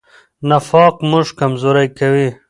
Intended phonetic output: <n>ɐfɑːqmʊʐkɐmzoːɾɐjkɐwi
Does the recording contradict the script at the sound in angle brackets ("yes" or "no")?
no